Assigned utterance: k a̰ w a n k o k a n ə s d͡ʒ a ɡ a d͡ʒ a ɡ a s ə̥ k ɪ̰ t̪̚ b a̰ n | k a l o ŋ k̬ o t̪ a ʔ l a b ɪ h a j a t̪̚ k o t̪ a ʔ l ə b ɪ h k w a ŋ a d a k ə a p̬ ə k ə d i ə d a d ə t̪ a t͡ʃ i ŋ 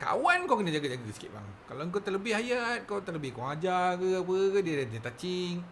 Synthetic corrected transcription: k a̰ w a n k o k ə n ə d͡ʒ a ɡ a d͡ʒ a ɡ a s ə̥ k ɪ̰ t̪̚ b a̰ ŋ | k a l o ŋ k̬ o t̪ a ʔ l ə b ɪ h a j a t̪̚ k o t̪ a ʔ l ə b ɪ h k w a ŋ a d͡ʒ a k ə a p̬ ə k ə d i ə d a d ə t̪ a t͡ʃ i ŋ